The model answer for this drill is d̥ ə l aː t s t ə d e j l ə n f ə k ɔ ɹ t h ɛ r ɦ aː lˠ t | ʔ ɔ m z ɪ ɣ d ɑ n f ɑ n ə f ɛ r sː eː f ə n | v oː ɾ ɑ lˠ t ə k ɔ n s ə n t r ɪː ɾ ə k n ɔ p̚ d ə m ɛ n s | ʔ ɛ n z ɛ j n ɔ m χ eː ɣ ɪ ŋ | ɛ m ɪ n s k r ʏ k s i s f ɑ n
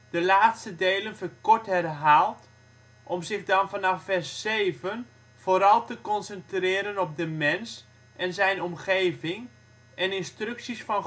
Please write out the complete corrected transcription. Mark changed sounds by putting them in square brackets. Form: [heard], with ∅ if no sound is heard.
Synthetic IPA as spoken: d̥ ə l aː t s t ə d e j l ə n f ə k ɔ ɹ t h ɛ r ɦ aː lˠ t | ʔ ɔ m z ɪ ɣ d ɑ n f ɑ n [ɑ] f ɛ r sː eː [v] ə n | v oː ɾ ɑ lˠ t ə k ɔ n s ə n t r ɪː ɾ ə [∅] n ɔ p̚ d ə m ɛ n s | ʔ ɛ n z ɛ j n ɔ m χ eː [v] ɪ ŋ | ɛ [n] ɪ n s [t] r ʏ k s i s f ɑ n